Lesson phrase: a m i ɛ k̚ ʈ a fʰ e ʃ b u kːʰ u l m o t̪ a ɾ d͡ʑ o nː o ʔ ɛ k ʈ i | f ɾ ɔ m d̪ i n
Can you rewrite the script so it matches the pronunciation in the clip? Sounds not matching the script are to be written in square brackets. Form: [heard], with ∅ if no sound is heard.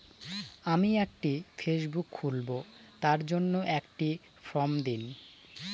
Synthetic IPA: a m i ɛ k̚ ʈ [i] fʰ e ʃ b u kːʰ u l [b] o t̪ a ɾ d͡ʑ o nː o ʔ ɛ k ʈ i | f ɾ ɔ m d̪ i n